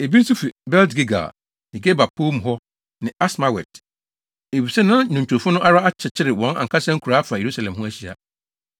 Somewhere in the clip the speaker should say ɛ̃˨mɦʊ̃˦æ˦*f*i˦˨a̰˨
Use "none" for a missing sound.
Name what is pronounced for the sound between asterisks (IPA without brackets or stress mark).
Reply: ɕ